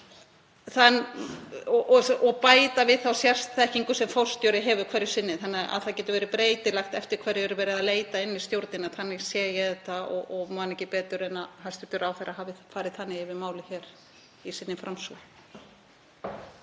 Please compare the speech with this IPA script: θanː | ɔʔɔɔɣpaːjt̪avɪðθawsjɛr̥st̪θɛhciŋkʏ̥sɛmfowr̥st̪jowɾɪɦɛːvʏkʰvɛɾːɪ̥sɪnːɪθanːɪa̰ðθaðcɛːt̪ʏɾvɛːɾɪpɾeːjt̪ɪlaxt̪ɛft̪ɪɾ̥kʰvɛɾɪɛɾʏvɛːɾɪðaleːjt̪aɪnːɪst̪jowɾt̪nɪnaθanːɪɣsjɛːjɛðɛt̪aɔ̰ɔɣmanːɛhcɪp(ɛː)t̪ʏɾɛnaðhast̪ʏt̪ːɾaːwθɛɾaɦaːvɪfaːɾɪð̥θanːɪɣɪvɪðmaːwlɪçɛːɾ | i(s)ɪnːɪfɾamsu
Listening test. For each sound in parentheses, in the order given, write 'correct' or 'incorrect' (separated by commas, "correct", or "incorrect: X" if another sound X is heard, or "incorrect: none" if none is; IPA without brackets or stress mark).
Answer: correct, correct